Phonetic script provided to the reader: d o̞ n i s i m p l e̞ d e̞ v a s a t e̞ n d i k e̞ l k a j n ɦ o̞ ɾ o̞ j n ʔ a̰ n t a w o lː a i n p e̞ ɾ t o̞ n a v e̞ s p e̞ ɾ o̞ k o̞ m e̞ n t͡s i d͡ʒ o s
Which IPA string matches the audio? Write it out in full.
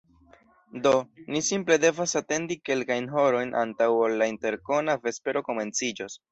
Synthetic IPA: d o̞ n i s i m p l e̞ d e̞ v a s a t e̞ n d i k e̞ l k a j n ɦ o̞ ɾ o̞ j n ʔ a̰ n t a w o lː a i n t e̞ ɾ k o̞ n a v e̞ s p e̞ ɾ o̞ k o̞ m e̞ n t͡s i d͡ʒ o s

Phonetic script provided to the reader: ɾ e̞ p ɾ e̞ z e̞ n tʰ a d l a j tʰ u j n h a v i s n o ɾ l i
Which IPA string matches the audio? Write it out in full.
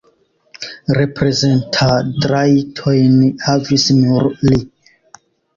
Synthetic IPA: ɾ e̞ p ɾ e̞ z e̞ n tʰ a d ɾ a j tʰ o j n h a v i s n u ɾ l i

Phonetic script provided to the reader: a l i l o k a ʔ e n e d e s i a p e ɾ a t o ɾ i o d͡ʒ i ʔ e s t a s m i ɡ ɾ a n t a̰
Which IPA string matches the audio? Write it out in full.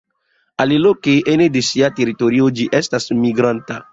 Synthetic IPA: a l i l o k e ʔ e n e d e s i a t e ɾ i t o ɾ i o d͡ʒ i ʔ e s t a s m i ɡ ɾ a n t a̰

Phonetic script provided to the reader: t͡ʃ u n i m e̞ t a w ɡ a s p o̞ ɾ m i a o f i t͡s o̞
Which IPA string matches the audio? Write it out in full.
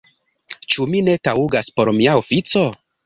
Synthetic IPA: t͡ʃ u m i n e̞ t a u ɡ a s p o̞ ɾ m i a o f i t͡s o̞

